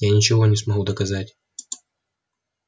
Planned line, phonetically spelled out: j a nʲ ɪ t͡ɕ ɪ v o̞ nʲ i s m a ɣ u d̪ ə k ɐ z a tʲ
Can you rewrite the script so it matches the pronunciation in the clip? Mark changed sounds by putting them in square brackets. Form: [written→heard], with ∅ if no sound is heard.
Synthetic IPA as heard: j a nʲ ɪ t͡ɕ ɪ v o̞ nʲ [i→ɪ] s m [a→ɐ] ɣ u d̪ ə k ɐ z a tʲ